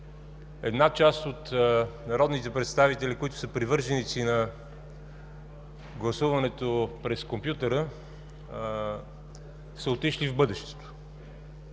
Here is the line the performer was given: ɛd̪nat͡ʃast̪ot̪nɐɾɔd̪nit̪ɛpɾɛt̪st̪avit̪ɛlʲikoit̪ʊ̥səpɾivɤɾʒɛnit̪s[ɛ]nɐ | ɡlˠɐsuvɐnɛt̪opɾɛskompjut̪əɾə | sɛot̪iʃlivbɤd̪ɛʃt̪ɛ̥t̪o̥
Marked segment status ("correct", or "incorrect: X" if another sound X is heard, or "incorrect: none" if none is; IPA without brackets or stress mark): incorrect: i